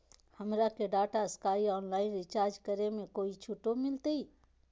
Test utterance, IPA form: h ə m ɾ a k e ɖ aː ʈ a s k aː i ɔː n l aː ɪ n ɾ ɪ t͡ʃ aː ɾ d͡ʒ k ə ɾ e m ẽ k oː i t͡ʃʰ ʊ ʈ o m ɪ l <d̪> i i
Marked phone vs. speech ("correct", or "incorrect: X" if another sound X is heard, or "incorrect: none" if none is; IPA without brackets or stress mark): incorrect: t̪